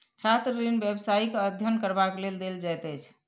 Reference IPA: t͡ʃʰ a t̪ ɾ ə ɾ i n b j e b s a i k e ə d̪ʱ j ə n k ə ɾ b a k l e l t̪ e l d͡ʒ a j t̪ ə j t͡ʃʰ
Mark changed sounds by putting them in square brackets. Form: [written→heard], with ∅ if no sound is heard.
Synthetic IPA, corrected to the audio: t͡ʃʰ a t̪ ɾ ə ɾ i n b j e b s a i k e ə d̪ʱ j ə n k ə ɾ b a k l e l [t̪→d̪] e l d͡ʒ a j t̪ ə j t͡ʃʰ